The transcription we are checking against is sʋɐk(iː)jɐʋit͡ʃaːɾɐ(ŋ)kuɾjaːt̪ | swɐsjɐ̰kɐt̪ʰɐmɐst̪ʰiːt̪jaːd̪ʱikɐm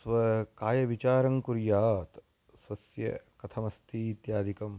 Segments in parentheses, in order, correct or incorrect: incorrect: aː, correct

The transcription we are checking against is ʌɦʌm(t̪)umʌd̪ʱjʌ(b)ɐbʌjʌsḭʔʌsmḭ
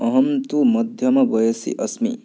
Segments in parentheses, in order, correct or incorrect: correct, incorrect: m

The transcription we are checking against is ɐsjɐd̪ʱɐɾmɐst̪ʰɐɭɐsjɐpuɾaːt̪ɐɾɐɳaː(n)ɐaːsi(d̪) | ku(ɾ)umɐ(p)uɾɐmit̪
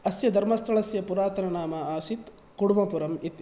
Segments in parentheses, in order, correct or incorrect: incorrect: m, incorrect: t̪, incorrect: ɽ, correct

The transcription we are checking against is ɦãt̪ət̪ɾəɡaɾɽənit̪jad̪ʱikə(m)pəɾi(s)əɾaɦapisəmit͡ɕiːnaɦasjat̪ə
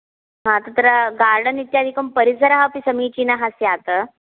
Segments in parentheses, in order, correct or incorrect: correct, correct

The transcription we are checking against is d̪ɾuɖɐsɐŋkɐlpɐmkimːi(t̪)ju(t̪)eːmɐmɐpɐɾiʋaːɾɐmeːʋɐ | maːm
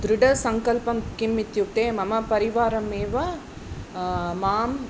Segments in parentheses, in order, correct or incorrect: correct, correct

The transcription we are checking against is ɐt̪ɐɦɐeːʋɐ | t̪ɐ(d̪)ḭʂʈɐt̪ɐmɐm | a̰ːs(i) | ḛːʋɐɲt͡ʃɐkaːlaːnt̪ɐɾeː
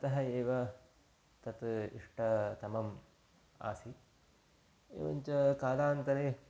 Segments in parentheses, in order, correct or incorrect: incorrect: t̪, correct

